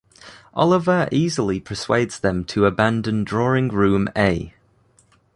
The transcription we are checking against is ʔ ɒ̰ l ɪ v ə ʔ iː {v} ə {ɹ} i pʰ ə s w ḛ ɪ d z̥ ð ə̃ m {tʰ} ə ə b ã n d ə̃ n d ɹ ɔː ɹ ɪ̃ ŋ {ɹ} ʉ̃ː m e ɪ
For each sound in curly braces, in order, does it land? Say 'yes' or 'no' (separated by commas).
no, no, yes, yes